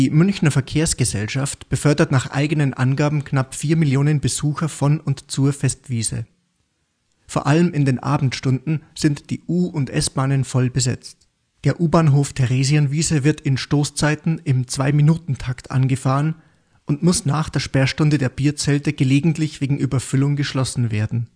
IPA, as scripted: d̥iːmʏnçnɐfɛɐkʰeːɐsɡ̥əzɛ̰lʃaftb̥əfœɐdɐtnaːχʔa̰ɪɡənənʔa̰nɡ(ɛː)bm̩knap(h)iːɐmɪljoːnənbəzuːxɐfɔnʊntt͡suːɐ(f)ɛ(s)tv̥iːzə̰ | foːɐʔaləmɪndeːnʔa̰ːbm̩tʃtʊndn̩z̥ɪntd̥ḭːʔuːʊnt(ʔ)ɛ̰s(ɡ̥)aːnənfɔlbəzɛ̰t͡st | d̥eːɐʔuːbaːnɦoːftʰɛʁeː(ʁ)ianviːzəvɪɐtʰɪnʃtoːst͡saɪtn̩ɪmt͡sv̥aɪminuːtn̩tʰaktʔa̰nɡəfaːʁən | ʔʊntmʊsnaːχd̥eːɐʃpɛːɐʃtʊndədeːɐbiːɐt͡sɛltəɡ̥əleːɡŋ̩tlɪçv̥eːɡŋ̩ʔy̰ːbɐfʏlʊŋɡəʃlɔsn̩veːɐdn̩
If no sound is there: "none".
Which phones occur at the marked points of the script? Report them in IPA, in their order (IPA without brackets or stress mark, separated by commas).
aː, f, f, s, ʔ, b̥, z